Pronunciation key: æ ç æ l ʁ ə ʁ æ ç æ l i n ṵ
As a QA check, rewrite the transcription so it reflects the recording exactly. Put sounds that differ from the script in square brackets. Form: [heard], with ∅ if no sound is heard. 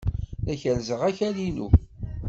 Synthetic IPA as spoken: æ ç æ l [z] ə ʁ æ ç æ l i n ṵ